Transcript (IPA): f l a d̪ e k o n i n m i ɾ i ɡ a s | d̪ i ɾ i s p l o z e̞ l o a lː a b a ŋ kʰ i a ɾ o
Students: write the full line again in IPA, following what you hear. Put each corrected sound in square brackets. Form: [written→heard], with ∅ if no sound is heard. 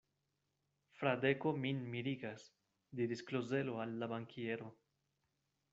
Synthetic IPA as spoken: f [l→ɾ] a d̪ e k o [n→m] i n m i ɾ i ɡ a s | d̪ i ɾ i s [p→k] l o z e̞ l o a lː a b a ŋ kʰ i [a→e] ɾ o